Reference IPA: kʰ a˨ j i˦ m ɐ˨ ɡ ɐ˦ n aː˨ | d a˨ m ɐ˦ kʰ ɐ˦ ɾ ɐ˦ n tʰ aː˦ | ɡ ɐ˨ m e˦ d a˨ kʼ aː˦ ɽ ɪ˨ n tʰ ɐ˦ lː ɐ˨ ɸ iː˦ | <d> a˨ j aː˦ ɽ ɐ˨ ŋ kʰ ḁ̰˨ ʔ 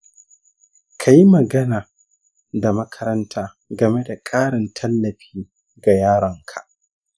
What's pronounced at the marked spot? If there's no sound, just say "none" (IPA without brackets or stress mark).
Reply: ɡ